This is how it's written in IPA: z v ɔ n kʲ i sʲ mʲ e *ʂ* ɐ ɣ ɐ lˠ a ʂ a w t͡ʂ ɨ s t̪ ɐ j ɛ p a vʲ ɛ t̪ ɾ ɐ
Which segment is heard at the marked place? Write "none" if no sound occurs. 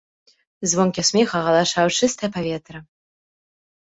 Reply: x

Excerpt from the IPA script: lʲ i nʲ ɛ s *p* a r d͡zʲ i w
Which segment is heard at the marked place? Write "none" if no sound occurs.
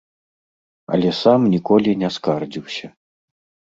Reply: k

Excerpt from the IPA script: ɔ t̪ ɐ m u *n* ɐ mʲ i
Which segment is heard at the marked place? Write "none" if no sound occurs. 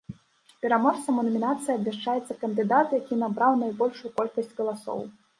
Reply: n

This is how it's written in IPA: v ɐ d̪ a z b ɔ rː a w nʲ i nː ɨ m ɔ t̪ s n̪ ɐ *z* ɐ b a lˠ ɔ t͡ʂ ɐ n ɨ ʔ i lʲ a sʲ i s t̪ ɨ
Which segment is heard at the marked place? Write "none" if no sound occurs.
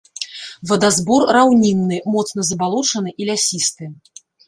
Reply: z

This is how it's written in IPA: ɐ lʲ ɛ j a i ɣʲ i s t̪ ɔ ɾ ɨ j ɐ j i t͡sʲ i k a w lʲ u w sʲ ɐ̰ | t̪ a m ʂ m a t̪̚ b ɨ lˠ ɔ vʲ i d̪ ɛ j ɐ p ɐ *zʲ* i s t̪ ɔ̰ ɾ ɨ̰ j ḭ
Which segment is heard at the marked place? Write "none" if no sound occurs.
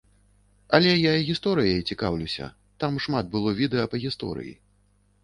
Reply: ɣʲ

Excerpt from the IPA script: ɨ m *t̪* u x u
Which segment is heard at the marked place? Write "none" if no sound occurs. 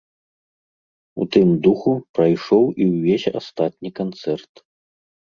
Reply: d̪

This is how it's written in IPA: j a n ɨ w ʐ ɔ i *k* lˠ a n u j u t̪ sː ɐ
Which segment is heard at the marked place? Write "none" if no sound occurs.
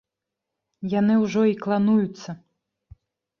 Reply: k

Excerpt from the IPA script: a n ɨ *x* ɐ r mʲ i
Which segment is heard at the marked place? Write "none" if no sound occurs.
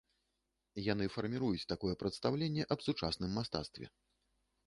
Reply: f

